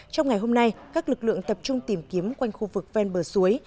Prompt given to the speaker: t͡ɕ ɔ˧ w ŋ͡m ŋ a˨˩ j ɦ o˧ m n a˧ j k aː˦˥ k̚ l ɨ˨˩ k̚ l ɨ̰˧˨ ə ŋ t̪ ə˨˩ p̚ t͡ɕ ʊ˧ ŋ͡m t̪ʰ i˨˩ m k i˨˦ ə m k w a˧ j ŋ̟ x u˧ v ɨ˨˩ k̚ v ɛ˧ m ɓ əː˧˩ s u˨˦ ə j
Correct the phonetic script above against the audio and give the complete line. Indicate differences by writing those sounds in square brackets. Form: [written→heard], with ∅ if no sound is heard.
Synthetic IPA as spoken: t͡ɕ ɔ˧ w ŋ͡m ŋ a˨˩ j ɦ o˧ m n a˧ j k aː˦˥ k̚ l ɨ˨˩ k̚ l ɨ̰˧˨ ə ŋ t̪ ə˨˩ p̚ t͡ɕ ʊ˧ ŋ͡m [t̪ʰ→t̪] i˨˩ m k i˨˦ ə m k w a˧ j ŋ̟ x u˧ v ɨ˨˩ k̚ v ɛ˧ [m→n] ɓ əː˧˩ s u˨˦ ə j